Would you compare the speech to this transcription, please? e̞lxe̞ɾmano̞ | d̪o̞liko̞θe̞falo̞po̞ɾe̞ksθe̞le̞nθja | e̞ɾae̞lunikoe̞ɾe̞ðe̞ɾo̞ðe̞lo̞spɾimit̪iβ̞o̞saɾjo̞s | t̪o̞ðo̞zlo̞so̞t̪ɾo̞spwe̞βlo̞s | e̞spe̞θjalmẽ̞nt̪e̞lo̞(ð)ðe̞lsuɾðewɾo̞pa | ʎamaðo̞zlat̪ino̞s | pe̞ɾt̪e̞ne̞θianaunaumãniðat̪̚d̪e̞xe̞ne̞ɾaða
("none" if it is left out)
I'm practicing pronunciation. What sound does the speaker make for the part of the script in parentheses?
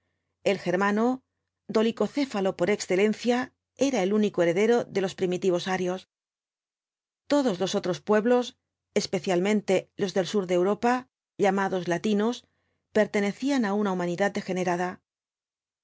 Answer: z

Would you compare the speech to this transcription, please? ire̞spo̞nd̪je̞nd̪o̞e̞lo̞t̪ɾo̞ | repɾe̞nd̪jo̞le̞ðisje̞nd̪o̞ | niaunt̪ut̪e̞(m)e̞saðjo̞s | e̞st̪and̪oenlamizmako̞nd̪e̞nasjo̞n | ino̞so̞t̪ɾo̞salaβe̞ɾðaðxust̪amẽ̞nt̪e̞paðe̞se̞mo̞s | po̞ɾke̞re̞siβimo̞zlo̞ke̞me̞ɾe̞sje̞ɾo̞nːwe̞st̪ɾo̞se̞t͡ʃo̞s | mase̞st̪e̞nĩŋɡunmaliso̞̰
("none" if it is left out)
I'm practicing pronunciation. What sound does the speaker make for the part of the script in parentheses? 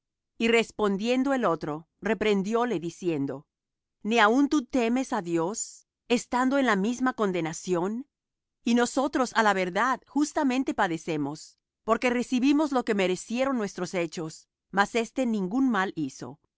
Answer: m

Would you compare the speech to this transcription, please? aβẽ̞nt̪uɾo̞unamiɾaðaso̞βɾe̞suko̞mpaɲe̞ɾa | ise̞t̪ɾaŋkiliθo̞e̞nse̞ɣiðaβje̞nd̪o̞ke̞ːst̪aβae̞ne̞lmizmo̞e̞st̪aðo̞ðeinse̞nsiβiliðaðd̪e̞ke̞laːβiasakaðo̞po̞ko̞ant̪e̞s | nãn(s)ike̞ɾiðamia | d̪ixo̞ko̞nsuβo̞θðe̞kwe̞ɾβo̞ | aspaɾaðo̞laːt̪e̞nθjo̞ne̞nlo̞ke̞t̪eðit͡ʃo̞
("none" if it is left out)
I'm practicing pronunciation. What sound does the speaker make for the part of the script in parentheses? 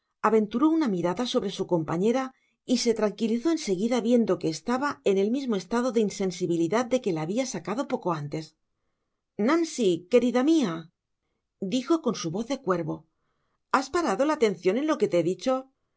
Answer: s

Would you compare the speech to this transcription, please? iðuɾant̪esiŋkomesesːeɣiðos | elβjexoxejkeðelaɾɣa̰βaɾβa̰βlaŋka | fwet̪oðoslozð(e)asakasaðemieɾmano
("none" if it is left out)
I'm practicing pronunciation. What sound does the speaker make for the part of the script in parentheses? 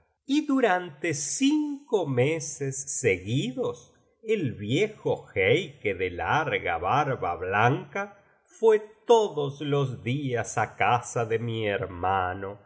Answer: i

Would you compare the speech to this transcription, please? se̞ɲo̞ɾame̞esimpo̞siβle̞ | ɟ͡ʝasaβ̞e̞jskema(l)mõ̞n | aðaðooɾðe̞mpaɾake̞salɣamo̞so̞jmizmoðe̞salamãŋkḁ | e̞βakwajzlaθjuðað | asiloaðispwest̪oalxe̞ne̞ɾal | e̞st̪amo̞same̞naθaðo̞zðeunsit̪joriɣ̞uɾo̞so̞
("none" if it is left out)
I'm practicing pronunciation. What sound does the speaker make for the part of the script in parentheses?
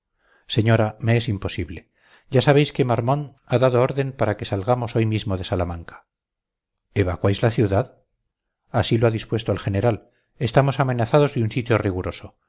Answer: ɾ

